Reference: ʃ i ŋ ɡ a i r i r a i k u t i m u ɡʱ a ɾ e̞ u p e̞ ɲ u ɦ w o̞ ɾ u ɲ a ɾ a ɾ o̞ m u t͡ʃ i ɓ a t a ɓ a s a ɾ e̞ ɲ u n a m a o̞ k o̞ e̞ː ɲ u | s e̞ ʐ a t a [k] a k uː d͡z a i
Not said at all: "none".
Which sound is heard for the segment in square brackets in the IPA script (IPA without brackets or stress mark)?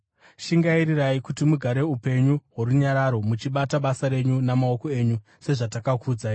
k